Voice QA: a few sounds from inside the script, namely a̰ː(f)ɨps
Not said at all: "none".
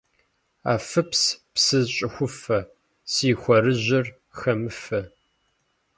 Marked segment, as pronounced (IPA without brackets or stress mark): f